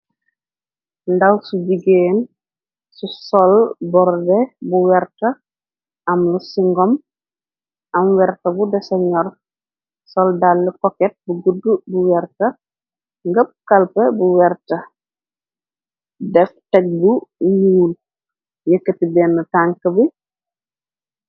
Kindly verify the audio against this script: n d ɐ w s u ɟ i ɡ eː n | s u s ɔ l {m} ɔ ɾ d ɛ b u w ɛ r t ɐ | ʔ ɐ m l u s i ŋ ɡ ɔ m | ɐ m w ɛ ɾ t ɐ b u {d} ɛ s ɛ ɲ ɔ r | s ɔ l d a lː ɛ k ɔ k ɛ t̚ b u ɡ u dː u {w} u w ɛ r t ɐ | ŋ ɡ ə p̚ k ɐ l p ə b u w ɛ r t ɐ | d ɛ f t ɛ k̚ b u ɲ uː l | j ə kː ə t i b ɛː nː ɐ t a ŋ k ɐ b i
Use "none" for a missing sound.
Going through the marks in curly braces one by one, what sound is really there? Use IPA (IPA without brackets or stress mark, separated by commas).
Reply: b, d, b